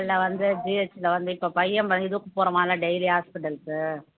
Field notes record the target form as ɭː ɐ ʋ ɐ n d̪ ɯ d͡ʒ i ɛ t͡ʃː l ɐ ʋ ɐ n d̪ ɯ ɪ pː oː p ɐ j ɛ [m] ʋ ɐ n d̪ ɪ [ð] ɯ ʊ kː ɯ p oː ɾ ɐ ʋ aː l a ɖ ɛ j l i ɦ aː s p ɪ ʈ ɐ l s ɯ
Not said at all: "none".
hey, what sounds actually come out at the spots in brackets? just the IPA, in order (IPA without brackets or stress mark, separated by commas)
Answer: m, ð